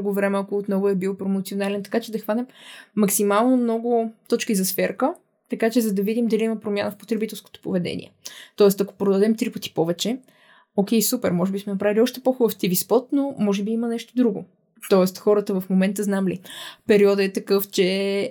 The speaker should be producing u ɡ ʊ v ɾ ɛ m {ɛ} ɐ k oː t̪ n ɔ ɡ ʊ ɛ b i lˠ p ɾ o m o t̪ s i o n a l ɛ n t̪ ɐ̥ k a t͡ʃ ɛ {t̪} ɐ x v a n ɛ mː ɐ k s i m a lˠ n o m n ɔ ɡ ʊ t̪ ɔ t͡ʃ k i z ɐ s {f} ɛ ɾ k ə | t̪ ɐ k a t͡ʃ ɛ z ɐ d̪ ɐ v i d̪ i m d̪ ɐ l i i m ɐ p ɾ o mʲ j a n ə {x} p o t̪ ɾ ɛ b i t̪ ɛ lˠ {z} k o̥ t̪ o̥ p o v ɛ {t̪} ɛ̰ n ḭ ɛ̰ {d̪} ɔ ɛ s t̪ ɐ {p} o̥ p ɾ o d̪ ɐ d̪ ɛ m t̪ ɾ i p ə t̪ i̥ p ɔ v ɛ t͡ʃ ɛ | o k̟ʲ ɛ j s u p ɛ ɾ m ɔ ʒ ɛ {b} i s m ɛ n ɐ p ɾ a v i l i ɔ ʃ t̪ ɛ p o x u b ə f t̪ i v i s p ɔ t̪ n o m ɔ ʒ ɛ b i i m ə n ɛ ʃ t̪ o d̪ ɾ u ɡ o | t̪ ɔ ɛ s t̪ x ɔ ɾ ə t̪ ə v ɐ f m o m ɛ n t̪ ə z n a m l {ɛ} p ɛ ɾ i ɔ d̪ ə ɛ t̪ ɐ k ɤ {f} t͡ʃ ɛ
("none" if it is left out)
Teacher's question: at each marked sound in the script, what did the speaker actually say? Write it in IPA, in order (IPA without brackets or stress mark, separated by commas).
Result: ɛ, d̪, f, f, s, d̪, t̪, k, b, i, f